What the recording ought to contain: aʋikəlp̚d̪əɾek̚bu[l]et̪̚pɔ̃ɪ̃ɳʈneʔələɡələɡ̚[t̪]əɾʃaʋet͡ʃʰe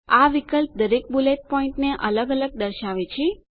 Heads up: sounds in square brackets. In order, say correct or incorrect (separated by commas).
correct, incorrect